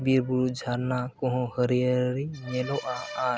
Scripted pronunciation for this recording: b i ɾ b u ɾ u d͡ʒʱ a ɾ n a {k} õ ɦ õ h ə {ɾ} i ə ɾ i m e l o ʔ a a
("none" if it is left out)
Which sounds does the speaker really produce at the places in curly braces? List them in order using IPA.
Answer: k, ɾ

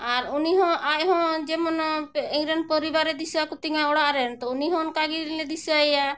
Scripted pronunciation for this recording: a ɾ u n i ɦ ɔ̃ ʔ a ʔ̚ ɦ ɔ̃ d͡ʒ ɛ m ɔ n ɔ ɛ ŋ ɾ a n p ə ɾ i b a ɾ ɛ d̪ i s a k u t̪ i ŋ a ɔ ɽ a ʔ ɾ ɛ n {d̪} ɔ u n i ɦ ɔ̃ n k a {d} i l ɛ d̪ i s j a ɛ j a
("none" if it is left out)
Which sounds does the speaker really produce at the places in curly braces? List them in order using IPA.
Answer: t̪, ɡ

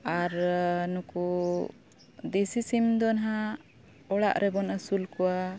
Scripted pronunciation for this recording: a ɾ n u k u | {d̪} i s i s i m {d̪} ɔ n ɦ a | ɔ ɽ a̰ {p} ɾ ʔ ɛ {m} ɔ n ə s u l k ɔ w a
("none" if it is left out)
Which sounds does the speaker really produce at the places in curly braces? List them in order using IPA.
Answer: d̪, d̪, ʔ, b

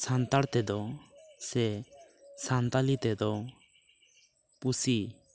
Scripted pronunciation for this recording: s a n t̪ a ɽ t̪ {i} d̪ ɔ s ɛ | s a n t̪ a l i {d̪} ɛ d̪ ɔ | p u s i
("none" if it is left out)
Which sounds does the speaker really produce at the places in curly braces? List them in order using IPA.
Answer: ɛ, t̪

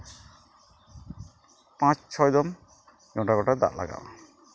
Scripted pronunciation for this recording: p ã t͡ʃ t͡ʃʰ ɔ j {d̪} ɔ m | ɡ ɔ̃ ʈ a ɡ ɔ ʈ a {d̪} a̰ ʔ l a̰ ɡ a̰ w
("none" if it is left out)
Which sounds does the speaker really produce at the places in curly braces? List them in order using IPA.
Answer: d̪, d̪

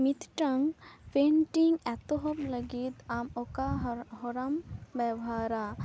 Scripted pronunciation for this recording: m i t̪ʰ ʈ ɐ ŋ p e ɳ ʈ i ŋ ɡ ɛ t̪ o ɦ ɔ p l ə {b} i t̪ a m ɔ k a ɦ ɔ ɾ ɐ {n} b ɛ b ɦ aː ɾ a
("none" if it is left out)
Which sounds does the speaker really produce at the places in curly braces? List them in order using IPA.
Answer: ɡ, m

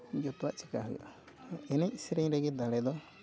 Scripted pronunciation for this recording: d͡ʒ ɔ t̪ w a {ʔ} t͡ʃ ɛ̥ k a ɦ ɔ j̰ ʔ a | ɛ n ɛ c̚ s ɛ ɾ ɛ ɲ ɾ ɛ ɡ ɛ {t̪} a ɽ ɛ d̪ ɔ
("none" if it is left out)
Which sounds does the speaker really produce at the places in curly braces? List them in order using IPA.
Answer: ʔ, d̪

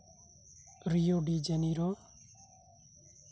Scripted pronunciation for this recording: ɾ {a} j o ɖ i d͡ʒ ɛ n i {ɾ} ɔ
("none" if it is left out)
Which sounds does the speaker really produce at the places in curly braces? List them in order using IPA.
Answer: i, ɾ

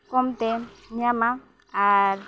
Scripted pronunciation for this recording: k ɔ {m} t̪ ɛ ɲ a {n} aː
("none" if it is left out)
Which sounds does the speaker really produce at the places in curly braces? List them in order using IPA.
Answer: m, m

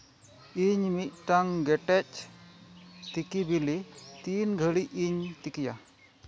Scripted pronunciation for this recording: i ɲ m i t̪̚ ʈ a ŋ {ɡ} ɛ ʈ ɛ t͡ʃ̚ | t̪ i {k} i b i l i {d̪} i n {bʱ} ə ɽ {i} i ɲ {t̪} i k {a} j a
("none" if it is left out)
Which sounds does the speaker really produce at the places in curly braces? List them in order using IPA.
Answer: ɡ, k, t̪, ɡʱ, i, t̪, i

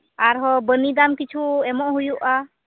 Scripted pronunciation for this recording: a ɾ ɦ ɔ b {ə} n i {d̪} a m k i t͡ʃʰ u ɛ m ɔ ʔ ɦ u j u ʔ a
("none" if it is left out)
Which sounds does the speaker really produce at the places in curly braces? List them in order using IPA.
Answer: ə, d̪

